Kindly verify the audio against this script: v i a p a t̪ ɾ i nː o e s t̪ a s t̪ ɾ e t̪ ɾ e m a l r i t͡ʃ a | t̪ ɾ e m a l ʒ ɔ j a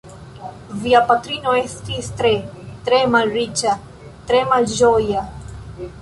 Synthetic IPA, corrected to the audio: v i a p a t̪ ɾ i n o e s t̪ i s t̪ ɾ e t̪ ɾ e m a l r i t͡ʃ a | t̪ ɾ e m a l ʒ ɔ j a